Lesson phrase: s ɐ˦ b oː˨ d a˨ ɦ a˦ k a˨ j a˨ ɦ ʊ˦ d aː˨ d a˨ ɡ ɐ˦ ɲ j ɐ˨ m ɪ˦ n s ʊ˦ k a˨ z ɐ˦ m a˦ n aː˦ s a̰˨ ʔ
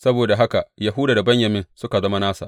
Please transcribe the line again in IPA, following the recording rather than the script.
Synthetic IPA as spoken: s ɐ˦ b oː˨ d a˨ ɦ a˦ k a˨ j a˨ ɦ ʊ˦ d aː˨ d a˨ b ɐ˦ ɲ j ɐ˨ m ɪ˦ n s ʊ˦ k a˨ z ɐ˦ m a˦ n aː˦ s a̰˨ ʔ